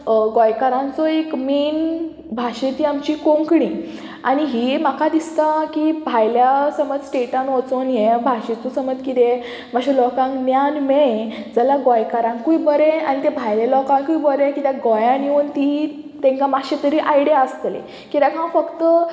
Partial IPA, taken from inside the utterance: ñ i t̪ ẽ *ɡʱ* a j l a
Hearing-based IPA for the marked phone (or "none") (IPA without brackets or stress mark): bʱ